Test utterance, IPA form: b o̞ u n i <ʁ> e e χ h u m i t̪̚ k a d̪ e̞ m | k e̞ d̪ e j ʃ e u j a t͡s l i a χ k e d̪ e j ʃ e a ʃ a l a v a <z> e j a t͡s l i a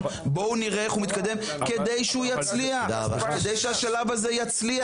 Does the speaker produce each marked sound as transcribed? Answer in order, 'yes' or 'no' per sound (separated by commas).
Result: yes, yes